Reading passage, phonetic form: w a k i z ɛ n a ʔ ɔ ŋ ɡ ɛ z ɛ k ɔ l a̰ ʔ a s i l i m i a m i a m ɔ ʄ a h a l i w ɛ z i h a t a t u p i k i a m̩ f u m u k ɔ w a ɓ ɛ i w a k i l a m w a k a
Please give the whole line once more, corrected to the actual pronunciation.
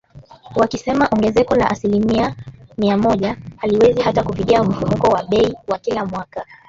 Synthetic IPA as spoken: w a k i s ɛ m a ʔ ɔ ŋ ɡ ɛ z ɛ k ɔ l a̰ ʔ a s i l i m i a m i a m ɔ ʄ a h a l i w ɛ z i h a t a k u p i k i a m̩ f u m u k ɔ w a ɓ ɛ i w a k i l a m w a k a